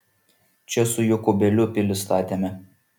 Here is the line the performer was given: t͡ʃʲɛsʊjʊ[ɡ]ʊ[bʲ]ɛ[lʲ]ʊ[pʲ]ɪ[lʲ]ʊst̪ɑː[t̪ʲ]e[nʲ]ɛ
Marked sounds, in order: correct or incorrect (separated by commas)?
incorrect, correct, correct, correct, correct, correct, incorrect